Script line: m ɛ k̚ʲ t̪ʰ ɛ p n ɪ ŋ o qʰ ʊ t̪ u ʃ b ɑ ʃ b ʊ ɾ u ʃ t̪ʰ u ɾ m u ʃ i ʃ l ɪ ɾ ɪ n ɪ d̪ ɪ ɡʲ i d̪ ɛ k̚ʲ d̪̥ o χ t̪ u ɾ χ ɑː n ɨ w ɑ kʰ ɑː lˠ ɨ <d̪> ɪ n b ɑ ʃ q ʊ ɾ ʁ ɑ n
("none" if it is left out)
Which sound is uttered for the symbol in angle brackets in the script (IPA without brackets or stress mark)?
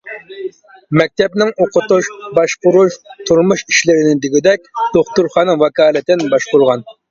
t̪